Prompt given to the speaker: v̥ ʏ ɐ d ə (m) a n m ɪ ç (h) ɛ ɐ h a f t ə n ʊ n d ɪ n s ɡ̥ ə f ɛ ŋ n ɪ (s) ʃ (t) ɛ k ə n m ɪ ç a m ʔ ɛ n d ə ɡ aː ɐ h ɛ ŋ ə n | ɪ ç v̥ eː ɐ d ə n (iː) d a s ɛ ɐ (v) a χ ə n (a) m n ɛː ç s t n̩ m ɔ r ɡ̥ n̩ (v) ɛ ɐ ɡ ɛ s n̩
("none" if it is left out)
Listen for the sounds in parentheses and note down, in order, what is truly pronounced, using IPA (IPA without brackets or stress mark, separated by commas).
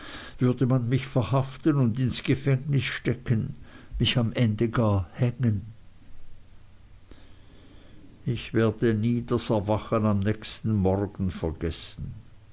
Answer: m, f, s, t, iː, v, a, f